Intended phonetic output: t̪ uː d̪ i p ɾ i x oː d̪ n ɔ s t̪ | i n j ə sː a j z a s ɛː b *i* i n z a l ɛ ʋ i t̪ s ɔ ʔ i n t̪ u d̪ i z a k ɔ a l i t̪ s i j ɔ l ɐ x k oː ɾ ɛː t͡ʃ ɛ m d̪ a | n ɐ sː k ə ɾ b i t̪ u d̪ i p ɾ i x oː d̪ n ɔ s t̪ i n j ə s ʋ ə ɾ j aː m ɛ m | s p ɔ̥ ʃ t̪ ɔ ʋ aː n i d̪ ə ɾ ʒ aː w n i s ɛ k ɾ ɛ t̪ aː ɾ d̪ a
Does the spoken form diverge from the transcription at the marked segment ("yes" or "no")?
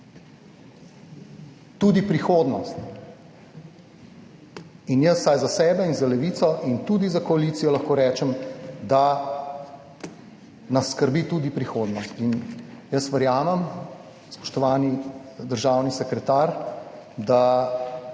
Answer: yes